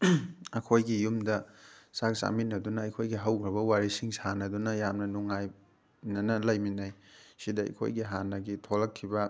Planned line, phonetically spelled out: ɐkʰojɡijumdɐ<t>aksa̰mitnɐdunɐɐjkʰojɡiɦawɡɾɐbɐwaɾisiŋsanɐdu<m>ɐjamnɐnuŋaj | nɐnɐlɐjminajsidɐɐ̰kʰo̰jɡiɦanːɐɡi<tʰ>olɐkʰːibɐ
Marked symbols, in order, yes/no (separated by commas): no, no, yes